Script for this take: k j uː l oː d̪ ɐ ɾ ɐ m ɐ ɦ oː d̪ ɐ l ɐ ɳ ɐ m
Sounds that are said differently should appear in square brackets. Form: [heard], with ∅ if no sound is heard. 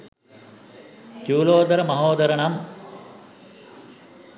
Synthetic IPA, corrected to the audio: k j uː l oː d̪ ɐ ɾ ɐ m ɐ ɦ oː d̪ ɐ [ɾ] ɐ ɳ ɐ m